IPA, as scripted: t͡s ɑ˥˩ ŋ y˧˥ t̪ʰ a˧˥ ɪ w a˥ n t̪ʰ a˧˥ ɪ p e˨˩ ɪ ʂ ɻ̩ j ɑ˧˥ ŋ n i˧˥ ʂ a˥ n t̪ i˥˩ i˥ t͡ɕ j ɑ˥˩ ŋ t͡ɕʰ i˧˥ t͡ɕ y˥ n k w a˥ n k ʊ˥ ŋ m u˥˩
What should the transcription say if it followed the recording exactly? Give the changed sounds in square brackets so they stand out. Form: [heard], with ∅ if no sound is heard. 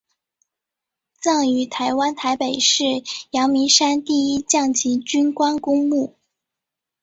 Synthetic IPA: t͡s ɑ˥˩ ŋ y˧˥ t̪ʰ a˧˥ ɪ w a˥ n t̪ʰ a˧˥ ɪ p e˨˩ ɪ ʂ ɻ̩ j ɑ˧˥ ŋ [m] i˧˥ ʂ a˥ n t̪ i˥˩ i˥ t͡ɕ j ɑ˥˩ ŋ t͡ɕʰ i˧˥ t͡ɕ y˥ n k w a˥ n k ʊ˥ ŋ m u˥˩